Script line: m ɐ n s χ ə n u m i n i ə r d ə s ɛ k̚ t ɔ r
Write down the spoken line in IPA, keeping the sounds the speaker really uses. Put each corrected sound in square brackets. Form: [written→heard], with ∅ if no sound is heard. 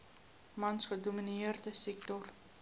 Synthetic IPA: m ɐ n s χ ə [n→d] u m i n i ə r d ə s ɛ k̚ t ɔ r